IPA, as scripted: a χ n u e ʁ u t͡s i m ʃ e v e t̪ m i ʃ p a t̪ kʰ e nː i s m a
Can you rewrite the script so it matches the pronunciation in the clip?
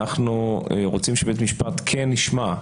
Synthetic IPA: a χ n u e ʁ o t͡s i m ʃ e b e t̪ m i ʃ p a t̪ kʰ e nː i ʃ m a